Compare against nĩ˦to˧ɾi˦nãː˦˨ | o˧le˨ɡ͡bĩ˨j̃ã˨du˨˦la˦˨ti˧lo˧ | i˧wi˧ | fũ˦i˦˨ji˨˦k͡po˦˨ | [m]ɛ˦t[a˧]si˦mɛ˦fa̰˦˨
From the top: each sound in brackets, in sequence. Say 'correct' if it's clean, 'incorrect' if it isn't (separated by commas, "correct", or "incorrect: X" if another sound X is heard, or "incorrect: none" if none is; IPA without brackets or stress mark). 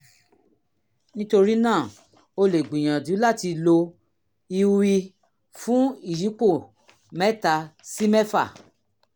correct, correct